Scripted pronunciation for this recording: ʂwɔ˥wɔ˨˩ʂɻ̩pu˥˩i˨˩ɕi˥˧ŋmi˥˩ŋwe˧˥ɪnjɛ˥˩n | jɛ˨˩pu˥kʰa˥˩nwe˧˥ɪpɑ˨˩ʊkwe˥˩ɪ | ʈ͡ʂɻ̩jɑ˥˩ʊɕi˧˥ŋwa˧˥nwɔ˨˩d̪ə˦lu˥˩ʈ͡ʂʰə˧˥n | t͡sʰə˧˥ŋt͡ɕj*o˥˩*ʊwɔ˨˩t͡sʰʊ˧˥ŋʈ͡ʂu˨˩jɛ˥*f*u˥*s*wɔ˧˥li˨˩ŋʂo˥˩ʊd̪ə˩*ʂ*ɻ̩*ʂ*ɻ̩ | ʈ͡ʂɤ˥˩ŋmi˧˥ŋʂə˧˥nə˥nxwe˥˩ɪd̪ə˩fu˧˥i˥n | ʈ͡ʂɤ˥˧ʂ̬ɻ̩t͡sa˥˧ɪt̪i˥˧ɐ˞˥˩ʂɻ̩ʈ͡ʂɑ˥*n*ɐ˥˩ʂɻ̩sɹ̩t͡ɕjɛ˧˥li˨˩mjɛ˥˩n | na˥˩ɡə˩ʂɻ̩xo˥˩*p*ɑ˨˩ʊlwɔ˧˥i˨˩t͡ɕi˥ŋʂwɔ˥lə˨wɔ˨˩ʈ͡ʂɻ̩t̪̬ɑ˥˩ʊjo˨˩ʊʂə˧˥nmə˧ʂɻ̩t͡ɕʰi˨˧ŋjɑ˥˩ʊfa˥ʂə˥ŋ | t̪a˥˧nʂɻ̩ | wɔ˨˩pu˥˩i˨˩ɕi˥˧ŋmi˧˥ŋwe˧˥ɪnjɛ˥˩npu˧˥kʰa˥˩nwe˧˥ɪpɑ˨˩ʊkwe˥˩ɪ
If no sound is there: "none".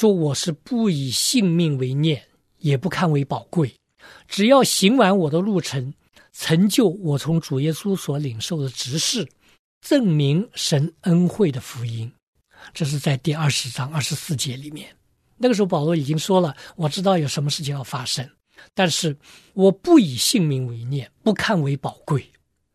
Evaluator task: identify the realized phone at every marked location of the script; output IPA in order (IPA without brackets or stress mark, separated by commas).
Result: o˥˩, s, s, ʈ͡ʂ, ʂ, ŋ, p